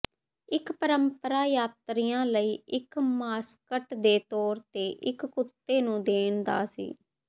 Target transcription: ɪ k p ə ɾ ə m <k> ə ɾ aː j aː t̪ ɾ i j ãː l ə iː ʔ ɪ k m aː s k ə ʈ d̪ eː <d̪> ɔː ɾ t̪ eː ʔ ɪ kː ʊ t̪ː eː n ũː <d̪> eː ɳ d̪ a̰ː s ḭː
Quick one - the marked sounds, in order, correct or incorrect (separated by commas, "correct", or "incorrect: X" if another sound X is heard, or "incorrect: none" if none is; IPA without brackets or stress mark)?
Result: incorrect: p, incorrect: t̪, correct